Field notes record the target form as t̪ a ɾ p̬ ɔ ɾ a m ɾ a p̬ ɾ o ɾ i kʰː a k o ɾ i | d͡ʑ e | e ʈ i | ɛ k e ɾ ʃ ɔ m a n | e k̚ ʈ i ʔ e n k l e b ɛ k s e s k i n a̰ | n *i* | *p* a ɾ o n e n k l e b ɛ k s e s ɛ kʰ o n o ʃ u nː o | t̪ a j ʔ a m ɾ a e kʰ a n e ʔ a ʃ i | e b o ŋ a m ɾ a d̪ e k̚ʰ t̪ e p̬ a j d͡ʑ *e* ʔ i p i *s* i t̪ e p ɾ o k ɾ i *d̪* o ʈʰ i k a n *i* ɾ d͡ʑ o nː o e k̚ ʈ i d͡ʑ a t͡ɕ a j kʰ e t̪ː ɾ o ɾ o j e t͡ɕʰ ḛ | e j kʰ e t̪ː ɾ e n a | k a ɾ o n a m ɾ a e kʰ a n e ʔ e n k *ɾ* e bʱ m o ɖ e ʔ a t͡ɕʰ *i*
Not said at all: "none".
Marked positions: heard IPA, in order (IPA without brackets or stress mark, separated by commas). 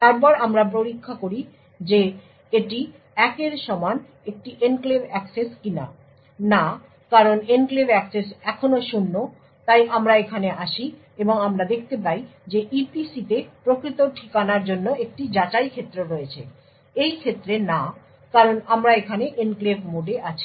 a, k, e, s, t̪, a, l, i